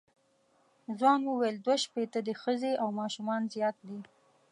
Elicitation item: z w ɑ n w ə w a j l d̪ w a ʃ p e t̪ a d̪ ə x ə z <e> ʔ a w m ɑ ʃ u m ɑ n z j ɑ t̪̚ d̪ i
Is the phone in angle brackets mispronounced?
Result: no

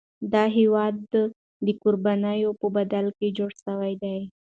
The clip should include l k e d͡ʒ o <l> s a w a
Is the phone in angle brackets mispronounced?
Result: yes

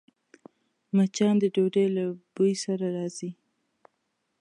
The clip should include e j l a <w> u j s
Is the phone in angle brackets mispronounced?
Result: yes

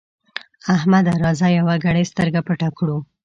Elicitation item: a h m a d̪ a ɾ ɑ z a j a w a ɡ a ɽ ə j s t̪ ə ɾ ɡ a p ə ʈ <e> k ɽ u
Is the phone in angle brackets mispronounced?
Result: yes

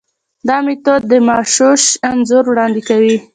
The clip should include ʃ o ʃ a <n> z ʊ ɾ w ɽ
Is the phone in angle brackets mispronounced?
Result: no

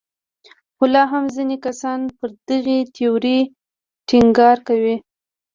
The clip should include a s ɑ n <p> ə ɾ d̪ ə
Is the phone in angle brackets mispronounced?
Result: no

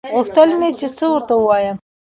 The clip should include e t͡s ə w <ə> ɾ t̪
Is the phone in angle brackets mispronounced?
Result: no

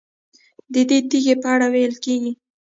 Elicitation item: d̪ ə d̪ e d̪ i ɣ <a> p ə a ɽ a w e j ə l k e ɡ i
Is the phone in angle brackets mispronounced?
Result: yes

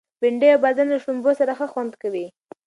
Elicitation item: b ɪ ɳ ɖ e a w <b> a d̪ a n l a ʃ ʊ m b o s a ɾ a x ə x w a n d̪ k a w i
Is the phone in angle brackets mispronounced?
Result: no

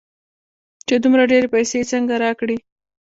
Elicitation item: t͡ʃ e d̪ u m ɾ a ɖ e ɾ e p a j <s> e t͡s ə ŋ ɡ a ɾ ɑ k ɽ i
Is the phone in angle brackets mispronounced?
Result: no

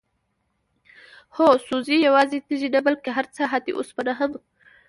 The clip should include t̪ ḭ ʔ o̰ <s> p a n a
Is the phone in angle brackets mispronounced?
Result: no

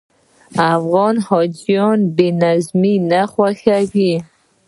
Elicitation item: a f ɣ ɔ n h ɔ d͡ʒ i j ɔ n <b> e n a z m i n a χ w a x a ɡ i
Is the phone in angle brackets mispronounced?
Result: no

